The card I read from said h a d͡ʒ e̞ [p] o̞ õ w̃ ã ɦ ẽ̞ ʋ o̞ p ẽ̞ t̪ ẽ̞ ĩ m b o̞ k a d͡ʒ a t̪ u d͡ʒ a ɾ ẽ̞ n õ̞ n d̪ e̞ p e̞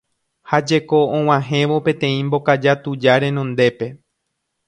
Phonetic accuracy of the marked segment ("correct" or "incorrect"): incorrect